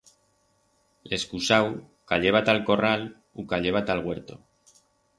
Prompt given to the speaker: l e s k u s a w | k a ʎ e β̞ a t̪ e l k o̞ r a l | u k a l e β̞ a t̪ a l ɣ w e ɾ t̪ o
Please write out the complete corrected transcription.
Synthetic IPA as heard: l e s k u s a w | k a ʎ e β̞ a t̪ a l k o̞ r a l | u k a ʎ e β̞ a t̪ a l ɣ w e ɾ t̪ o